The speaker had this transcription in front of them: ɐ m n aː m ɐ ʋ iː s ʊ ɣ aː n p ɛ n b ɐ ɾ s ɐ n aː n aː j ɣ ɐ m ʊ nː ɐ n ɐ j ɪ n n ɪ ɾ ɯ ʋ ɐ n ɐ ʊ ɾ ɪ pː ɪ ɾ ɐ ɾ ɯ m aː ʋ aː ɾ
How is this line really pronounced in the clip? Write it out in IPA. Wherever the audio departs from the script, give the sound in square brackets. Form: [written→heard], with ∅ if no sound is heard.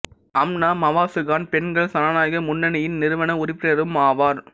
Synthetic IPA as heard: ɐ m n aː m ɐ ʋ [iː→aː] s [ʊ→ɯ] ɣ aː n p ɛ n [b→ɡ] ɐ [ɾ→ɭ] s ɐ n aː n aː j ɣ ɐ m ʊ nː ɐ n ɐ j ɪ n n ɪ ɾ ɯ ʋ ɐ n ɐ ʊ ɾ ɪ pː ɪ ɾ ɐ ɾ ɯ m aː ʋ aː ɾ

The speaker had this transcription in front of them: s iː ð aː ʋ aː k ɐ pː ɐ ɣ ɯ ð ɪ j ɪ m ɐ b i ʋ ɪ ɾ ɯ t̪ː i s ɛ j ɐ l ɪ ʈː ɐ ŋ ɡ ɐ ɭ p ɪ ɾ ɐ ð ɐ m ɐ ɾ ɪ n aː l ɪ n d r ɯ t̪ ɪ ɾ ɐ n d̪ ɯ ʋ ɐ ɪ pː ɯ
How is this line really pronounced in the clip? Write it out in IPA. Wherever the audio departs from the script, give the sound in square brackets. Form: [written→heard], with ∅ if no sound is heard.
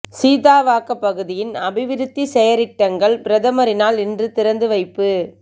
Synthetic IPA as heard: s iː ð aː ʋ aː k ɐ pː ɐ ɣ ɯ ð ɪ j ɪ [m→n] ɐ b [i→ɪ] ʋ ɪ ɾ ɯ t̪ː i s ɛ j ɐ [l→ɾ] ɪ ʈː ɐ ŋ ɡ ɐ ɭ p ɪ ɾ ɐ ð ɐ m ɐ ɾ ɪ n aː l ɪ n d r ɯ t̪ ɪ ɾ ɐ n d̪ ɯ ʋ ɐ ɪ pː ɯ

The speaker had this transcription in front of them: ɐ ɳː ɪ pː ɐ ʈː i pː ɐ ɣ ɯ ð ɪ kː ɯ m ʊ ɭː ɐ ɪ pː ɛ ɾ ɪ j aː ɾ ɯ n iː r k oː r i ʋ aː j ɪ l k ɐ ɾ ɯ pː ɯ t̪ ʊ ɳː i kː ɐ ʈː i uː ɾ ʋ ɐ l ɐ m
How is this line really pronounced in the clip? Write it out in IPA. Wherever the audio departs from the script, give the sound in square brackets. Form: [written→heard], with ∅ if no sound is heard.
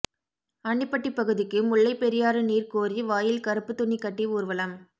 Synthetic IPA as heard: ɐ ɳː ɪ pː ɐ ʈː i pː ɐ ɣ ɯ ð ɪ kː ɯ m ʊ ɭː ɐ ɪ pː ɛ ɾ ɪ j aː ɾ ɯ n iː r k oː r i ʋ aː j ɪ l k ɐ ɾ ɯ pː ɯ t̪ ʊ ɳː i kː ɐ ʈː i uː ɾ ʋ ɐ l ɐ m

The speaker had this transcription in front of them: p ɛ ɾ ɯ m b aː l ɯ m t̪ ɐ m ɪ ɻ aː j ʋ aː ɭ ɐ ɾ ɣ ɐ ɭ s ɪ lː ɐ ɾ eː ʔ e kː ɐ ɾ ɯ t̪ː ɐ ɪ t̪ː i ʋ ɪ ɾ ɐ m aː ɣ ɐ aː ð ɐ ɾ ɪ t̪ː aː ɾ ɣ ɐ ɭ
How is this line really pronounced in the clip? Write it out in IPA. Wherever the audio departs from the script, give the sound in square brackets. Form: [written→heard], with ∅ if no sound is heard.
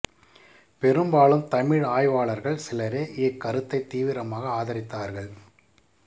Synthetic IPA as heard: p ɛ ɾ ɯ m b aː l ɯ m t̪ ɐ m ɪ ɻ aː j ʋ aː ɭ ɐ ɾ ɣ ɐ ɭ s ɪ [lː→l] ɐ ɾ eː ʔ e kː ɐ ɾ ɯ t̪ː ɐ ɪ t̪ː [i→iː] ʋ ɪ ɾ ɐ m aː ɣ ɐ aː ð ɐ ɾ ɪ t̪ː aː ɾ ɣ ɐ ɭ

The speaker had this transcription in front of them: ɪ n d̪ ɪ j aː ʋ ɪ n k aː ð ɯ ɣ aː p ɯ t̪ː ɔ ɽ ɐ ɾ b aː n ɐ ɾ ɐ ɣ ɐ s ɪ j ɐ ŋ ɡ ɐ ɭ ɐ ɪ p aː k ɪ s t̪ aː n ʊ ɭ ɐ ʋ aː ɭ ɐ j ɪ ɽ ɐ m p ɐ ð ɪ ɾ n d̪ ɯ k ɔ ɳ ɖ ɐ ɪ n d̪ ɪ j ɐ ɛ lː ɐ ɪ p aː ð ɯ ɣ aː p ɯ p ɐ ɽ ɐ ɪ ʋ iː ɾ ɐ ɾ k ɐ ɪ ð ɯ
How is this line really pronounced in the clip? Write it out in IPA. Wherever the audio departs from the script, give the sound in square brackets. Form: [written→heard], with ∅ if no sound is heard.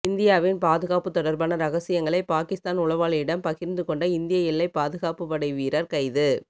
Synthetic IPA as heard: ɪ n d̪ ɪ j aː ʋ ɪ n [k→p] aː ð ɯ ɣ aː p ɯ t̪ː ɔ ɽ ɐ ɾ b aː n ɐ ɾ ɐ ɣ ɐ s ɪ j ɐ ŋ ɡ ɐ ɭ ɐ ɪ p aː k ɪ s t̪ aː n ʊ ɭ ɐ ʋ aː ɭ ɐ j ɪ ɽ ɐ m p ɐ [ð→ɣ] ɪ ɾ n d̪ ɯ k ɔ ɳ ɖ ɐ ɪ n d̪ ɪ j ɐ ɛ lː ɐ ɪ p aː ð ɯ ɣ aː p ɯ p ɐ ɽ ɐ ɪ ʋ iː ɾ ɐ ɾ k ɐ ɪ ð ɯ

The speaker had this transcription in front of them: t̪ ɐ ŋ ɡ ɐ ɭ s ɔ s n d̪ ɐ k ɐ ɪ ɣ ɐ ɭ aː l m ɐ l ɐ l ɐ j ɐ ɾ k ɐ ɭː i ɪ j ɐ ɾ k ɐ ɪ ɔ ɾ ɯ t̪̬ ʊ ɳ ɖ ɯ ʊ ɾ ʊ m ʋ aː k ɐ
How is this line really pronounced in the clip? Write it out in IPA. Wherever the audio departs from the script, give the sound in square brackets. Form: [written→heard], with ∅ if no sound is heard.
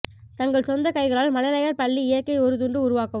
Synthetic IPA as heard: t̪ ɐ ŋ ɡ ɐ ɭ s ɔ [s→∅] n d̪ ɐ k ɐ ɪ ɣ ɐ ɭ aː l m ɐ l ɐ l ɐ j ɐ ɾ [k→p] ɐ ɭː i ɪ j ɐ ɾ k ɐ ɪ ɔ ɾ ɯ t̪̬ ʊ ɳ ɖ ɯ ʊ ɾ ʊ [m→∅] ʋ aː k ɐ

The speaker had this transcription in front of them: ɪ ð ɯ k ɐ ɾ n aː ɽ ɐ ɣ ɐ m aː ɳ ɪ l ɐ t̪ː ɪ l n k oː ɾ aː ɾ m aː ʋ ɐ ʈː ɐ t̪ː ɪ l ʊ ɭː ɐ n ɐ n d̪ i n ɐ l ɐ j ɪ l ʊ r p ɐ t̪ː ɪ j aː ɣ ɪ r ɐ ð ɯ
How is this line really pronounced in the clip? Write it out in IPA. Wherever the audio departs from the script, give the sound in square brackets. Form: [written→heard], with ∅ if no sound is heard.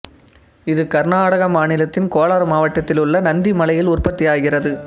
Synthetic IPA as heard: ɪ ð ɯ k ɐ ɾ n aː ɽ ɐ ɣ ɐ m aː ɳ ɪ l ɐ t̪ː ɪ [l→∅] n k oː [ɾ→l] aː ɾ m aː ʋ ɐ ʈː ɐ t̪ː ɪ l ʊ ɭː ɐ n ɐ n d̪ i [n→m] ɐ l ɐ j ɪ l ʊ r p ɐ t̪ː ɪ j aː ɣ ɪ r ɐ ð ɯ

